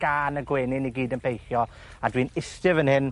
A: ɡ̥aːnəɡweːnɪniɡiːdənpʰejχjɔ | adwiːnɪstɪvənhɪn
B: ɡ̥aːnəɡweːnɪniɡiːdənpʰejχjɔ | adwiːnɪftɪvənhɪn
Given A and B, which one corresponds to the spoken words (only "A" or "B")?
A